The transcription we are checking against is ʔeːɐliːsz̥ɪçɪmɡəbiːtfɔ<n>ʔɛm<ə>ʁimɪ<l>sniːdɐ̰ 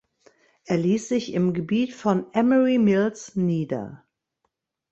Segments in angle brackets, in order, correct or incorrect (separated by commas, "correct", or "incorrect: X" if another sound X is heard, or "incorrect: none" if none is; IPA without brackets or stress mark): correct, correct, correct